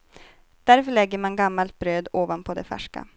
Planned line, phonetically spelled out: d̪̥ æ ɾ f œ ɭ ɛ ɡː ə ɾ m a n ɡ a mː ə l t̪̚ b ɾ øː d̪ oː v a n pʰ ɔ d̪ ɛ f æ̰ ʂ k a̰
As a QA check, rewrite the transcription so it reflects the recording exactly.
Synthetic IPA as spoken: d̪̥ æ ɾ f œ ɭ ɛ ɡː ə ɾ m a n ɡ a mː a l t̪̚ b ɾ øː d̪ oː v a n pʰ ɔ d̪ ɛ f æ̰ ʂ k a̰